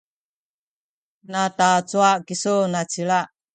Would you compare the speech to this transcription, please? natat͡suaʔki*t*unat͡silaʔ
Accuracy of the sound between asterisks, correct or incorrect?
incorrect